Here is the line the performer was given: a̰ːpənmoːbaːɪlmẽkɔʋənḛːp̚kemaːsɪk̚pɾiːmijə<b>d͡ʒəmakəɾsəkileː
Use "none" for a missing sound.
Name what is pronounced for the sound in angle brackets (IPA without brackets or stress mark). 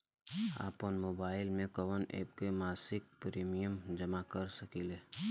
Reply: m